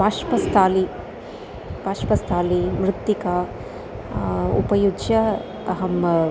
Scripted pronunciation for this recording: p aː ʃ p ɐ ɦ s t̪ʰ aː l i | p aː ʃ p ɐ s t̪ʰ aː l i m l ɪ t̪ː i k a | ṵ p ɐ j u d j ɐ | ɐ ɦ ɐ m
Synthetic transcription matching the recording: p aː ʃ p ɐ s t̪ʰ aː l i | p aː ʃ p ɐ s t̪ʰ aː l i m ɾ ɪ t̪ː i k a | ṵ p ɐ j u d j ɐ | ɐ ɦ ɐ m